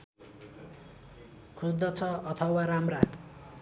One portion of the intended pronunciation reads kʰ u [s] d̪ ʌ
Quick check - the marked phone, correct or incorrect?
correct